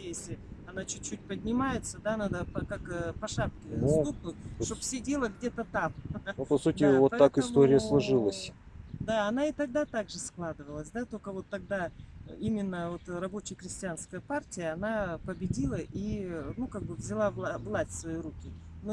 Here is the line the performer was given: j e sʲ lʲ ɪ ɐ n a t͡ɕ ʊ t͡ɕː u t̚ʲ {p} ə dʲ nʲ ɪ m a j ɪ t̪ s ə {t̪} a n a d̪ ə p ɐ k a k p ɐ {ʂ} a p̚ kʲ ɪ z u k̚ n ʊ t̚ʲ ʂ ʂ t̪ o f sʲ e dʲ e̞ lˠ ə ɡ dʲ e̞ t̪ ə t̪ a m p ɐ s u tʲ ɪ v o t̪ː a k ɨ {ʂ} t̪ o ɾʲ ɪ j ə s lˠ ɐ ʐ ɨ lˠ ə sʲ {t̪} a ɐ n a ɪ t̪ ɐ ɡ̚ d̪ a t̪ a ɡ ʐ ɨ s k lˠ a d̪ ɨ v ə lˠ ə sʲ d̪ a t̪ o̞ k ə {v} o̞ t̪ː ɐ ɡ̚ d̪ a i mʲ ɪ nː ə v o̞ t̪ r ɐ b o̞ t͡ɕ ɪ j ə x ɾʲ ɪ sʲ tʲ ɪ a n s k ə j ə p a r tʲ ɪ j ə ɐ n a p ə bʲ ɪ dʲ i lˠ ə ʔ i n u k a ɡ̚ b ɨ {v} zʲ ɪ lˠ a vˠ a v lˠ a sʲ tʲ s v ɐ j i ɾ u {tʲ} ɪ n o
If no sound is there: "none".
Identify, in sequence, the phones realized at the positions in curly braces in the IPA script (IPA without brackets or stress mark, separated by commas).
p, d̪, ʂ, s, d̪, v, v, kʲ